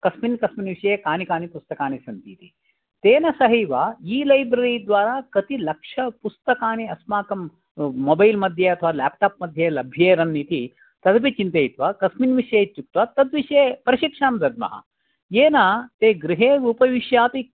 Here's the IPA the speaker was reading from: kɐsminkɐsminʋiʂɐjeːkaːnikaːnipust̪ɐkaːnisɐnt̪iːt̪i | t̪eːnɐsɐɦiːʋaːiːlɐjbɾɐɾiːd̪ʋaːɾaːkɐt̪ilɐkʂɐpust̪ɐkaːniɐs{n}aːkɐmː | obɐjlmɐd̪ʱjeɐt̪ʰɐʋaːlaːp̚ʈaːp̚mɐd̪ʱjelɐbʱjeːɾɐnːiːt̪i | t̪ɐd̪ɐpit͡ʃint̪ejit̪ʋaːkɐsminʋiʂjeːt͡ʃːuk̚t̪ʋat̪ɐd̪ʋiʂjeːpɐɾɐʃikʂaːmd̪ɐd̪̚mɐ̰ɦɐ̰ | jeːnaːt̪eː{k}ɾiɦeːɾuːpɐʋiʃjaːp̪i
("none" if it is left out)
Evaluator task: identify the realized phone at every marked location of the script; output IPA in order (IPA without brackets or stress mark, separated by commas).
m, ɡ